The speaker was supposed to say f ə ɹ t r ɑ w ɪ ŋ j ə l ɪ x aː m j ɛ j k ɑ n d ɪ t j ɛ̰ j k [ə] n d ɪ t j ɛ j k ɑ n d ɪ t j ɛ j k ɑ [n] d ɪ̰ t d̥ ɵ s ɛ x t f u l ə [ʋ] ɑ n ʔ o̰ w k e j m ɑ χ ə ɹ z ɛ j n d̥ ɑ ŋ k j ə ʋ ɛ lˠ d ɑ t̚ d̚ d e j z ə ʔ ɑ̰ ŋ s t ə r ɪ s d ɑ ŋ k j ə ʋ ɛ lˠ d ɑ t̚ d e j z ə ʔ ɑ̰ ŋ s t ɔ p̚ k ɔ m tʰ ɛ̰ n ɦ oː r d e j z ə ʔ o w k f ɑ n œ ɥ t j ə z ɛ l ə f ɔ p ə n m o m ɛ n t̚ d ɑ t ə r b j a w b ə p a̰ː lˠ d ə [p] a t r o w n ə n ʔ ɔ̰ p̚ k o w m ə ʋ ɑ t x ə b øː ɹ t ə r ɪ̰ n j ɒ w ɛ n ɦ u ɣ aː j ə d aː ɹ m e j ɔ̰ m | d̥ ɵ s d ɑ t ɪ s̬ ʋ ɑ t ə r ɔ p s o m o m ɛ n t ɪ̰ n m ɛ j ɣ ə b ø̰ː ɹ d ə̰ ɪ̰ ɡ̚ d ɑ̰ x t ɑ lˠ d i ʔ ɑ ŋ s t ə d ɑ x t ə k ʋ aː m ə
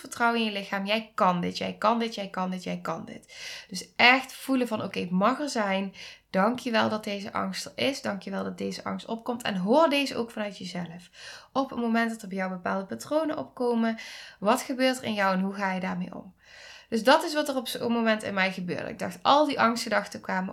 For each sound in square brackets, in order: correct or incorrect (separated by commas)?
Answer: incorrect, correct, incorrect, correct